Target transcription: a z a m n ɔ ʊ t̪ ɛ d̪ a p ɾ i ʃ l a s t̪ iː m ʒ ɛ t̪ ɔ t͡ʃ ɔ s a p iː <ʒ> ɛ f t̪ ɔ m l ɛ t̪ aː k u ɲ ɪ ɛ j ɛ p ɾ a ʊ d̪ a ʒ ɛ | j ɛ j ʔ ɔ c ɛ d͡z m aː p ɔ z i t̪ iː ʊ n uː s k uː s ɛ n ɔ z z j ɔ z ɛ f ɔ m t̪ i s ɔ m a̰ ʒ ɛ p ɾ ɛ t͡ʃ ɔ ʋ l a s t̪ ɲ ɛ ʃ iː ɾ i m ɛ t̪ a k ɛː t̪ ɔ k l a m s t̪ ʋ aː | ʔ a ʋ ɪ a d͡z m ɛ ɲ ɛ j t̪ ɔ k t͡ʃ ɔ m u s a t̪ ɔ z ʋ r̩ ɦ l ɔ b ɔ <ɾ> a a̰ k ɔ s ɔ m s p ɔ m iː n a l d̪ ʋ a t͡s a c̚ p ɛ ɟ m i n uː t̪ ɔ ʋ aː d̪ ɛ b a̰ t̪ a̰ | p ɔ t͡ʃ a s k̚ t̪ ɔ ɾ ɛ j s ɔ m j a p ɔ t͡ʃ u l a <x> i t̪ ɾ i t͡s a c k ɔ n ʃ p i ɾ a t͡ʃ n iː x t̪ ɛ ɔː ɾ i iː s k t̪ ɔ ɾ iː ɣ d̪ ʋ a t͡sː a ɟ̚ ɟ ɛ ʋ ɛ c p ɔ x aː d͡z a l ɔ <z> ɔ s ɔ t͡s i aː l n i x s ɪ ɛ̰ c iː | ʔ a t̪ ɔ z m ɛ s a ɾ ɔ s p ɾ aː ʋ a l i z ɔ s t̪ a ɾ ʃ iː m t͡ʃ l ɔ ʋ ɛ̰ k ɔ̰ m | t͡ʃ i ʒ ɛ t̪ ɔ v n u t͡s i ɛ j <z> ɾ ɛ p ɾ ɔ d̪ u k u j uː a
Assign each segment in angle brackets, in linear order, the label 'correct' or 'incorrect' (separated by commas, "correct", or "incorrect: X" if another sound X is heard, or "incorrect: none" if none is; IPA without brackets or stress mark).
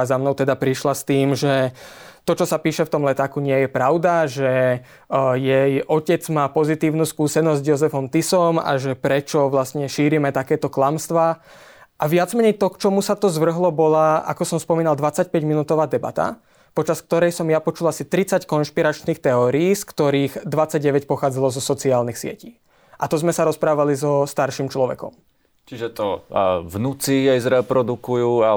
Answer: incorrect: ʃ, incorrect: l, incorrect: s, correct, correct